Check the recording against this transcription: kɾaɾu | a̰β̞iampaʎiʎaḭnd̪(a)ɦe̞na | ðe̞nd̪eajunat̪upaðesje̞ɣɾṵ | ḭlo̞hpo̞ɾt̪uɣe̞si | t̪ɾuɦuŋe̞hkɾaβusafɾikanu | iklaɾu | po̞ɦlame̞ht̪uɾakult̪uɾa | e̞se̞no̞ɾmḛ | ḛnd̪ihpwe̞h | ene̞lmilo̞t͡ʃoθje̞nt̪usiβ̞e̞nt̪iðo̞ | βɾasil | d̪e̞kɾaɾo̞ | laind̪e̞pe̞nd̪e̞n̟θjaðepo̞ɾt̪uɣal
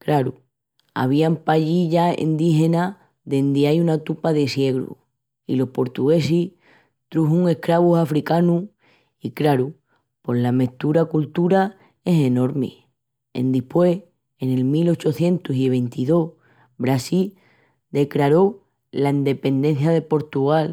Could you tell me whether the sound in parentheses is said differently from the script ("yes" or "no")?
yes